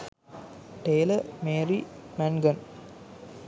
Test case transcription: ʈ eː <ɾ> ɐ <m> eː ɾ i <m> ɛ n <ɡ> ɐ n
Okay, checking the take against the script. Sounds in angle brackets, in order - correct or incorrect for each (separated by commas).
incorrect, correct, correct, correct